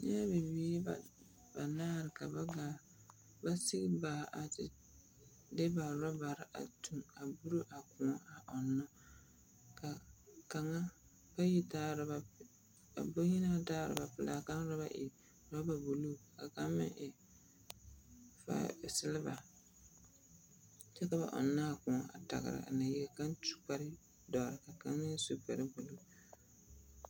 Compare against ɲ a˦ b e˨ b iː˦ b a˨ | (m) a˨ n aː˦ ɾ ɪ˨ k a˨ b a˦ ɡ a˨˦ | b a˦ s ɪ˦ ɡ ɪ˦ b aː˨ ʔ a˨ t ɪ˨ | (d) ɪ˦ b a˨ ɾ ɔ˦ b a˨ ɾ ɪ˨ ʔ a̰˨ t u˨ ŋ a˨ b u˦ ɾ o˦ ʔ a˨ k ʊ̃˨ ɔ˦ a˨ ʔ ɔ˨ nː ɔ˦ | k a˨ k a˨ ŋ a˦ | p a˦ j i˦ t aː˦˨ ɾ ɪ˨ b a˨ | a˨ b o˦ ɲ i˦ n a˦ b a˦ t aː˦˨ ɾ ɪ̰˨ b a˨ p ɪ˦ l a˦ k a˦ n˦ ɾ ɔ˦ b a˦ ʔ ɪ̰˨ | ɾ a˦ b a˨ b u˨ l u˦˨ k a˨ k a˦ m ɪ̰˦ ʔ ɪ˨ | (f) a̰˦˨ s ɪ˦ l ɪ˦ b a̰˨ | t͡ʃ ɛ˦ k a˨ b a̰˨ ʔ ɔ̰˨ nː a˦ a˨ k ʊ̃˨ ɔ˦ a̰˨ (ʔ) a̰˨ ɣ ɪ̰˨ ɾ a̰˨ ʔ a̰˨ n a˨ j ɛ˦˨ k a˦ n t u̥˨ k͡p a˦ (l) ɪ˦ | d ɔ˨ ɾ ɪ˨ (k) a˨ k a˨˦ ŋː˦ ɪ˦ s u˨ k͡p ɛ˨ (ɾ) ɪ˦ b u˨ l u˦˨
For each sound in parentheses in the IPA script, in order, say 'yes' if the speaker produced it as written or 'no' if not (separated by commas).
no, yes, yes, no, no, yes, yes